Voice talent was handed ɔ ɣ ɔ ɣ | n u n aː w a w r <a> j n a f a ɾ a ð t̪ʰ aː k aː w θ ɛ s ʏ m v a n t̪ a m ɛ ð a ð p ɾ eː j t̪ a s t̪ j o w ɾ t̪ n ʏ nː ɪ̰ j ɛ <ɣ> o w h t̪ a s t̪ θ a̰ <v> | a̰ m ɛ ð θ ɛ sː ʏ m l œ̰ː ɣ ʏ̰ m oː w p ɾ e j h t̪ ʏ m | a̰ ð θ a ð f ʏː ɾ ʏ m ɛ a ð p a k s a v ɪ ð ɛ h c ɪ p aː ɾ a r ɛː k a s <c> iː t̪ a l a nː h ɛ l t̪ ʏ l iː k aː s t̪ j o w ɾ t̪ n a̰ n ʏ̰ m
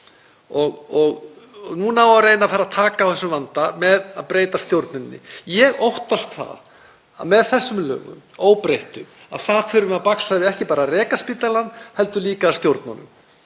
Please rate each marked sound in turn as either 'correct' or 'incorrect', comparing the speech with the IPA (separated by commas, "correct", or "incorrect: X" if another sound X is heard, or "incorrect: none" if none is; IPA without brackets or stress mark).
incorrect: e, correct, incorrect: ð, incorrect: p